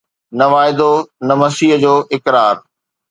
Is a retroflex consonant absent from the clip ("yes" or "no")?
yes